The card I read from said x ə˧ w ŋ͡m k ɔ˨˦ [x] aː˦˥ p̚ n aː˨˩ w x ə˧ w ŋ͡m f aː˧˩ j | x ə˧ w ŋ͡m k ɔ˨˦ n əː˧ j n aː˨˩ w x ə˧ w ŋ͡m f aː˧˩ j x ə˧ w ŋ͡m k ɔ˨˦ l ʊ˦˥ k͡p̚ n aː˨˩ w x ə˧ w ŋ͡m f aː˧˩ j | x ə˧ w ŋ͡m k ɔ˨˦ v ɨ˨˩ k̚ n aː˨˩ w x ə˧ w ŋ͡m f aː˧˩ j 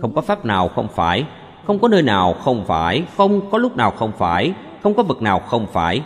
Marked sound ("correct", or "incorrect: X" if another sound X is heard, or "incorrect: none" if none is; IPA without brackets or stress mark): incorrect: f